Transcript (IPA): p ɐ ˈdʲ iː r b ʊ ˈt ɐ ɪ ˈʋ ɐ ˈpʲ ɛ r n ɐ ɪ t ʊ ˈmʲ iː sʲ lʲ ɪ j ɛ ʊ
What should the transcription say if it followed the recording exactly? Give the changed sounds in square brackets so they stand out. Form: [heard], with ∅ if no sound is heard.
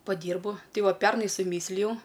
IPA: p ɐ ˈdʲ iː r b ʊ ˈt ɐ ɪ ˈʋ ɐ ˈpʲ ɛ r n ɐ ɪ [s] ʊ ˈmʲ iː sʲ lʲ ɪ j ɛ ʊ